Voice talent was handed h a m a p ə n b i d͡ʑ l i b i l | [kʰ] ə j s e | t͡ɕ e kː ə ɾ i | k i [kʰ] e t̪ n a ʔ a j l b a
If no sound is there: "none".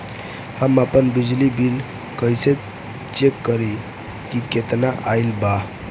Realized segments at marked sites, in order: k, k

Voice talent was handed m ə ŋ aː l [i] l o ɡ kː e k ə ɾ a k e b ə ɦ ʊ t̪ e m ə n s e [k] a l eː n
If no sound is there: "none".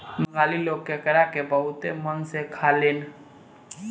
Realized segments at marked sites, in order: i, kʰ

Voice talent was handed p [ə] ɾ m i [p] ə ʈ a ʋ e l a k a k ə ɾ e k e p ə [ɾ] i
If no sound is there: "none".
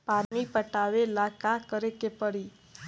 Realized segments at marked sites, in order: a, p, ɽ

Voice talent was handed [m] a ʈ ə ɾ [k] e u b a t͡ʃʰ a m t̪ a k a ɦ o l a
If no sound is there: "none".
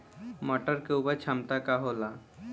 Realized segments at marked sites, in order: m, k

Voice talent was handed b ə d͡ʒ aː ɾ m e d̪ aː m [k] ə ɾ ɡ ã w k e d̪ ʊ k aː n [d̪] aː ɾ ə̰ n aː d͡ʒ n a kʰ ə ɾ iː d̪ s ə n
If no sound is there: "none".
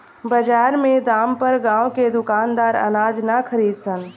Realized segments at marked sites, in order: p, d̪

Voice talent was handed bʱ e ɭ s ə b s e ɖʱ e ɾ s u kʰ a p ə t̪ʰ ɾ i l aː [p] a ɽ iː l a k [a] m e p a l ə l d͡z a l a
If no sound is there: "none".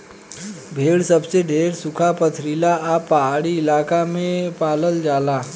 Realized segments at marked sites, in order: p, a

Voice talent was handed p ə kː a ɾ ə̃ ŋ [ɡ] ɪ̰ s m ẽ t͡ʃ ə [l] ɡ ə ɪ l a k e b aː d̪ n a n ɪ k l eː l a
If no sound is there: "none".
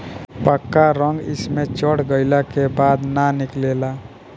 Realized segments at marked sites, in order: ɡ, ɽ

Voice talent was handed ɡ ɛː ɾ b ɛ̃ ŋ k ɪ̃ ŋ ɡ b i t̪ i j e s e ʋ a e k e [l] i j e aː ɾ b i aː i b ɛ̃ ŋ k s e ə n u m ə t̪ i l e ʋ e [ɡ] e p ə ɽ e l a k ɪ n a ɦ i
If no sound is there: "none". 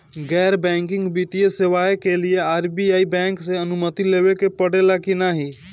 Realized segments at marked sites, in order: l, k

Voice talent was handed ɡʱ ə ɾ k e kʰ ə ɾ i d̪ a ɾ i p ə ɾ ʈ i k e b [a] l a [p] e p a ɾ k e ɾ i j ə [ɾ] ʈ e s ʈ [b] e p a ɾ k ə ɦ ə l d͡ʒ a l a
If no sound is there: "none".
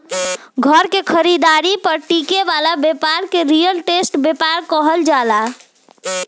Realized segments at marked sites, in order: a, b, l, b

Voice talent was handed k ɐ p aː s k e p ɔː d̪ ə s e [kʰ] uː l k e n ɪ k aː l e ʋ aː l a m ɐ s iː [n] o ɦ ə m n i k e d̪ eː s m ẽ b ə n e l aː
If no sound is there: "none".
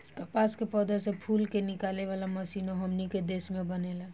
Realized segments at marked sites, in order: pʰ, n

